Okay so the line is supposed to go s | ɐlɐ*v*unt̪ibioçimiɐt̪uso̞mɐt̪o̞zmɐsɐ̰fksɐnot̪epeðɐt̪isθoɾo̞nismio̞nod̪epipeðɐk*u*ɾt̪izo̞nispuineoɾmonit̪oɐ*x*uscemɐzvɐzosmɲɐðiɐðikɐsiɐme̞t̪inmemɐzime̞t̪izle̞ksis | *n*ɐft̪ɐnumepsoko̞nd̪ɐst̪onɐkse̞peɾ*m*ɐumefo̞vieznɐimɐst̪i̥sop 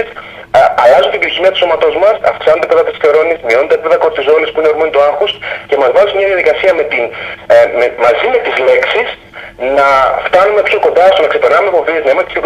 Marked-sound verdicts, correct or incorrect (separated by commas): incorrect, incorrect, correct, correct, incorrect